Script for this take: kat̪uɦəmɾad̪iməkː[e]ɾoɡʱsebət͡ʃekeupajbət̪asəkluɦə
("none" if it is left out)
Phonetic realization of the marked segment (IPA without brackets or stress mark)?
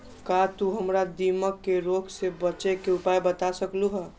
e